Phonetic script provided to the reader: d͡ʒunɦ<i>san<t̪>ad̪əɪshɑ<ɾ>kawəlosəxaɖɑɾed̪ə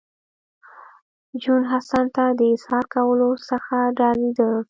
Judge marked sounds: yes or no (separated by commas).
no, yes, yes